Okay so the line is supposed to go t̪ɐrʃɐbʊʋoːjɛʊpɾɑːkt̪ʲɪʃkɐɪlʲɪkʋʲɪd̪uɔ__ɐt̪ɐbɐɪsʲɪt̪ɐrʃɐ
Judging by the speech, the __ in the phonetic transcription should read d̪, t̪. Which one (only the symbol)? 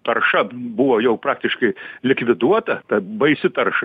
t̪